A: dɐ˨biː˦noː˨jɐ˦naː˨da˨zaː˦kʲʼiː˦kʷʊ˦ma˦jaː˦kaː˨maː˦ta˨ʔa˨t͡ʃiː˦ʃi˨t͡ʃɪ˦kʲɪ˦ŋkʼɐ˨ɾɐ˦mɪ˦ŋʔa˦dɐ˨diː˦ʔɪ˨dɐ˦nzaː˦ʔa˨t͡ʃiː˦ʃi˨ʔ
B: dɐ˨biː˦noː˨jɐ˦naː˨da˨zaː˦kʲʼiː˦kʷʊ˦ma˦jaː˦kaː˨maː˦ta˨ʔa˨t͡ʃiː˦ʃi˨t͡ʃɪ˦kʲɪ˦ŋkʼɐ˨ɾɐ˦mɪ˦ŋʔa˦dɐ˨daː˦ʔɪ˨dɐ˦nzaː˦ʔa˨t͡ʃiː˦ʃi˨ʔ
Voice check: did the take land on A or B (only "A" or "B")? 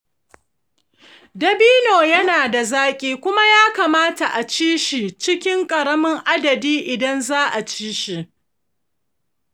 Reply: A